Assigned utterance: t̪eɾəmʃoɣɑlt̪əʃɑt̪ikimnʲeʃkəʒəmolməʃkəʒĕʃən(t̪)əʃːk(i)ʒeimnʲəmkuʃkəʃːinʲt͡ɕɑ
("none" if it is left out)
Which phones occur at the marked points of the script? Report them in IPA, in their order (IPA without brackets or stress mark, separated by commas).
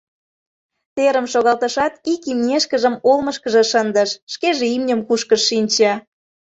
d̪, e